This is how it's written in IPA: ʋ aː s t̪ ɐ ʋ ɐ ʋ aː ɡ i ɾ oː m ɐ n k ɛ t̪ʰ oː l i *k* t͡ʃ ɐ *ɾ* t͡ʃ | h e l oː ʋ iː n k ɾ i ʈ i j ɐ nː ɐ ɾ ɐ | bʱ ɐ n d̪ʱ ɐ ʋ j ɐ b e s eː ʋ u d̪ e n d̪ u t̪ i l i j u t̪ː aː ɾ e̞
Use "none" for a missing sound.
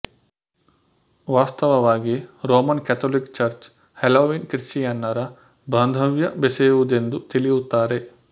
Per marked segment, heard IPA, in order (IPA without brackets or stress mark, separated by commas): k, ɾ